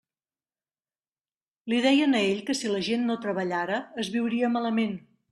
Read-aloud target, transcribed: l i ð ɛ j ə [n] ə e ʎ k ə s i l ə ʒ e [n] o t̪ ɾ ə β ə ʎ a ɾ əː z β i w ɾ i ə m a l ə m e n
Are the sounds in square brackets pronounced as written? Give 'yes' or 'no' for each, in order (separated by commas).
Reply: yes, no